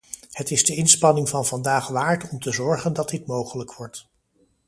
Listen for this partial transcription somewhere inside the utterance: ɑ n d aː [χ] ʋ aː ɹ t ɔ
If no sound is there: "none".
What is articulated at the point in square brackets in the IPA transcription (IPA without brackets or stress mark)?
χ